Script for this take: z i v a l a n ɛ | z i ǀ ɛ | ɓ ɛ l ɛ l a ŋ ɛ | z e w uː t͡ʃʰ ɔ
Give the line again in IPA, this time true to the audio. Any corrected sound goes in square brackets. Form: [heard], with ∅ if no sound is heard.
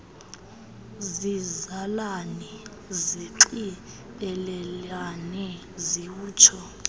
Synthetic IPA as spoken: z i [z] a l a n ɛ | z i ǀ [i] | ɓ ɛ l ɛ l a [n] ɛ | z [i] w uː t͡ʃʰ ɔ